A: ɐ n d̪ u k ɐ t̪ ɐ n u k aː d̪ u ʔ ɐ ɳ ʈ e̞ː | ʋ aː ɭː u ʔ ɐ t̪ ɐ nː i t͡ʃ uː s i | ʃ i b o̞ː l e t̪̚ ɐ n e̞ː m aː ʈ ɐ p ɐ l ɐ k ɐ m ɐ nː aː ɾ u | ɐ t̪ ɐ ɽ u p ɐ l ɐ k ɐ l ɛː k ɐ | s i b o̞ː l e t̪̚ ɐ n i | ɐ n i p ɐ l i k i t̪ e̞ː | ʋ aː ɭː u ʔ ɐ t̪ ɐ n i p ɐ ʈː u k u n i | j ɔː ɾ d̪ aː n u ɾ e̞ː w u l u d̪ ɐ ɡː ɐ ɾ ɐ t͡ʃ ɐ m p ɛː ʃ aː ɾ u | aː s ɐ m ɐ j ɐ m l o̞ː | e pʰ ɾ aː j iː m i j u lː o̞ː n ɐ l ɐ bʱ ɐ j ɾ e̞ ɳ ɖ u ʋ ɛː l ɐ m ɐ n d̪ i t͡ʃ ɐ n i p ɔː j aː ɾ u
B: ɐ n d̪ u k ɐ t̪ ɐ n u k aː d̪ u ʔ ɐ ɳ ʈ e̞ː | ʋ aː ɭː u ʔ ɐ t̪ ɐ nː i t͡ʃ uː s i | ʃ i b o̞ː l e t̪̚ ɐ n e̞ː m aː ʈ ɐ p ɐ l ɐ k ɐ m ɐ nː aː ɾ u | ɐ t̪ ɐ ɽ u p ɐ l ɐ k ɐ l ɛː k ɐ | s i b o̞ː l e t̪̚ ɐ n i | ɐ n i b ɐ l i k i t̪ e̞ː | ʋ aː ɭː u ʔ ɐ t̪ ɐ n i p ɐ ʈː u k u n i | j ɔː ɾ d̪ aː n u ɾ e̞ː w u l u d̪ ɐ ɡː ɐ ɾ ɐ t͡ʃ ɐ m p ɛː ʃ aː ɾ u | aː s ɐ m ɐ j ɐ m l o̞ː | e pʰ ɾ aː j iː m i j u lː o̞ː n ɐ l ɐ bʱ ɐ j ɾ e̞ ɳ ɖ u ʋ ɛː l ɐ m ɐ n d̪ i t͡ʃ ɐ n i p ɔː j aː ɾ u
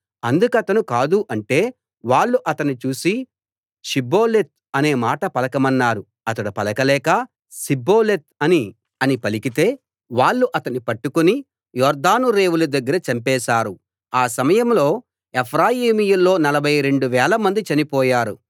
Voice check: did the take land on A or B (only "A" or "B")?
A